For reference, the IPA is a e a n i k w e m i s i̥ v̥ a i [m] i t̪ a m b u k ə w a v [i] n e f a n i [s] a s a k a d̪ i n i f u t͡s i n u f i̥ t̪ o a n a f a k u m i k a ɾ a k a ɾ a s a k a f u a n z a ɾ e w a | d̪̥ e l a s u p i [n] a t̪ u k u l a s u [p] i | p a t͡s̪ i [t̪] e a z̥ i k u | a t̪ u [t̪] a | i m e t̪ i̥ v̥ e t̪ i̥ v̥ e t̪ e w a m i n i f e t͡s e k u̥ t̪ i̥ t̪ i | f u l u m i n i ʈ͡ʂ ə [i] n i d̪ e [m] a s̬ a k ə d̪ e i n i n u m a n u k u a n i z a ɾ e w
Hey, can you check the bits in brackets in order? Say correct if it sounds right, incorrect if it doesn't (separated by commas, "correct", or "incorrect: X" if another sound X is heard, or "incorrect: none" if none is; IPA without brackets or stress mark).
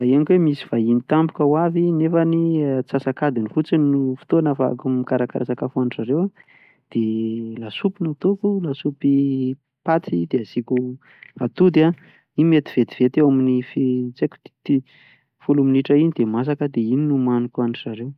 incorrect: n, correct, incorrect: t͡s, correct, correct, incorrect: d̪, incorrect: d̪, correct, correct